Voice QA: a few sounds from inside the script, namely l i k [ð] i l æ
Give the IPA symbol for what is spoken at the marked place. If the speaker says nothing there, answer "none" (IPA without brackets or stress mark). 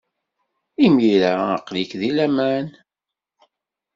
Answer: ð